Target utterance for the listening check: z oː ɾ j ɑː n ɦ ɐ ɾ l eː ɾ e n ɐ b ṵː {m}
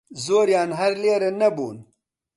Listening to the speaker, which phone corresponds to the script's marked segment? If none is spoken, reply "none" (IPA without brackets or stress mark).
n